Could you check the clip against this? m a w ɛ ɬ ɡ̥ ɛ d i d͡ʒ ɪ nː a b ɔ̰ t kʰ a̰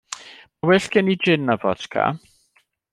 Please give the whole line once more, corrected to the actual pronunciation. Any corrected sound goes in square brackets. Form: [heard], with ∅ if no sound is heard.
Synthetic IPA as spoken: m a w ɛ ɬ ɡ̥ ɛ [n] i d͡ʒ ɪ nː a [v] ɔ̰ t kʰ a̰